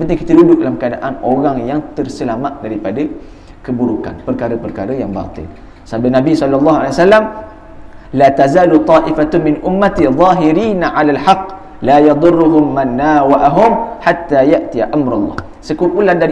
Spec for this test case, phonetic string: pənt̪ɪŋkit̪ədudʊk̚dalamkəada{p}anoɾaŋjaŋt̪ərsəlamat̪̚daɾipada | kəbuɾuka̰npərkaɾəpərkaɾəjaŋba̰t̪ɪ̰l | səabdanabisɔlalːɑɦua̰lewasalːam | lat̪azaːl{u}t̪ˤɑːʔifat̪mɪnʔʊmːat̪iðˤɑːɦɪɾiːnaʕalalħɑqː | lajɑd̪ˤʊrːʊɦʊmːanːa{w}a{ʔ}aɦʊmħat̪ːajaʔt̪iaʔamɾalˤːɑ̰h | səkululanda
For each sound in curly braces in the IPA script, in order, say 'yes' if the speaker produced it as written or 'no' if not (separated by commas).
no, yes, yes, yes